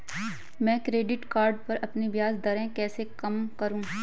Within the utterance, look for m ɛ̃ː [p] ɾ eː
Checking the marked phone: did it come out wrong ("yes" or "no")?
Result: yes